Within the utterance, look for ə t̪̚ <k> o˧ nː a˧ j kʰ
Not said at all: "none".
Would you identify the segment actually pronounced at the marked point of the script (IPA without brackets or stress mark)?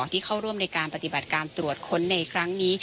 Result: kʰ